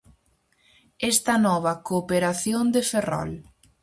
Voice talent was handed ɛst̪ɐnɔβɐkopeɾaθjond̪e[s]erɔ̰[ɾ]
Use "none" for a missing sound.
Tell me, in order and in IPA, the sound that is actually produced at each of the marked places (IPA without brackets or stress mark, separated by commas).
f, l